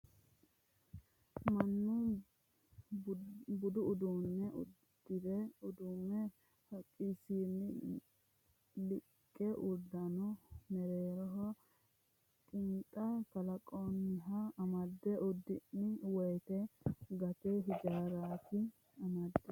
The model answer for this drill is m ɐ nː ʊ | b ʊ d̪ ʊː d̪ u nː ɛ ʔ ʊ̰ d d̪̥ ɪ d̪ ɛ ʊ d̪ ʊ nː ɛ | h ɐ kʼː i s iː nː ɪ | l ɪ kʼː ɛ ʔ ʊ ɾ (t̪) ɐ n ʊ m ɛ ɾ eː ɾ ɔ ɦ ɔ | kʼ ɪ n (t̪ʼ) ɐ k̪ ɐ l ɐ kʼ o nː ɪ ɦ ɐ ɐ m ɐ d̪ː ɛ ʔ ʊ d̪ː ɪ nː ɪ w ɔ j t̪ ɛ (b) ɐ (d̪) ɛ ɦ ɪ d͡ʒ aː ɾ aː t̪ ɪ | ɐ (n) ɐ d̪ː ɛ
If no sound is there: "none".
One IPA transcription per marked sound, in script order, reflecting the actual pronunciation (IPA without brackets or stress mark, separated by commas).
d̪, t̪ʼ, ɡ, t̪, m